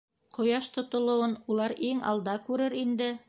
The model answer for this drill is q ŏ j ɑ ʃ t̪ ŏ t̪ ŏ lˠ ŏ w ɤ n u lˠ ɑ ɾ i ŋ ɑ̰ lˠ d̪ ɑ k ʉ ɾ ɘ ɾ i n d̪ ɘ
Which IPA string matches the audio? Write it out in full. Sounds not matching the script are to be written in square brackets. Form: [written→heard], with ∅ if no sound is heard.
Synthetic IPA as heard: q ŏ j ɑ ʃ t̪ ŏ t̪ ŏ lˠ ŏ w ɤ n u lˠ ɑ ɾ i ŋ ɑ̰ lˠ d̪ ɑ k ʉ ɾ ɘ ɾ i n d̪ ɘ